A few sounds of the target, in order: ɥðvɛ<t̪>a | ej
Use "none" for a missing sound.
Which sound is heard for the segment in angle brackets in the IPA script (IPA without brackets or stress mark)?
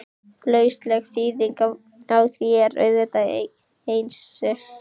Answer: t̪